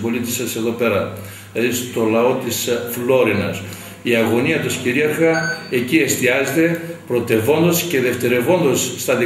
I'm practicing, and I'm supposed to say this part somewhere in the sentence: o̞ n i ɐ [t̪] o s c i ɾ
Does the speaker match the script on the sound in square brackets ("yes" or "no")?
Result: yes